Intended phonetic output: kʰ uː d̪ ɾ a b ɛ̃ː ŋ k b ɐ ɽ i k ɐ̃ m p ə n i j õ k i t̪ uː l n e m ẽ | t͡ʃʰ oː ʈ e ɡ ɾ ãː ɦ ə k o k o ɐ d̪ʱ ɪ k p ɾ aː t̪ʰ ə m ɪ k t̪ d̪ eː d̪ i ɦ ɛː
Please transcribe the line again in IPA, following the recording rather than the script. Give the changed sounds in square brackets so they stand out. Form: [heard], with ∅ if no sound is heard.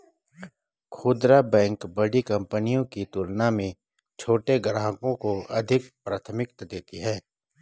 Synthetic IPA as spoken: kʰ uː d̪ ɾ a b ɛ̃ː ŋ k b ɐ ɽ i k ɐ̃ m p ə n i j õ k i t̪ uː l n [a] m ẽ | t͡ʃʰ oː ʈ e ɡ ɾ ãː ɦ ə k [õ] k o ɐ d̪ʱ ɪ k p ɾ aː t̪ʰ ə m ɪ k t̪ d̪ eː [t̪] i ɦ ɛː